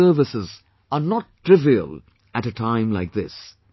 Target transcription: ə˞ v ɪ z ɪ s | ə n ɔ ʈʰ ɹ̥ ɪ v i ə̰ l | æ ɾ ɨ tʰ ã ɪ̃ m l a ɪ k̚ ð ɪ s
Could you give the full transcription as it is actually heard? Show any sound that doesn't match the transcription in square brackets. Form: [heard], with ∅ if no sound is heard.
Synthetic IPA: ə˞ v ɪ [s] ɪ [z] | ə n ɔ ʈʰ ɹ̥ ɪ v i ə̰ l | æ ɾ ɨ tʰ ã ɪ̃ m l a ɪ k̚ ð ɪ s